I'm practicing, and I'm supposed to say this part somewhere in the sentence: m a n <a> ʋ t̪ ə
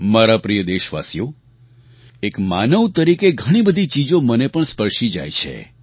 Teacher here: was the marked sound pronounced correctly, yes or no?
no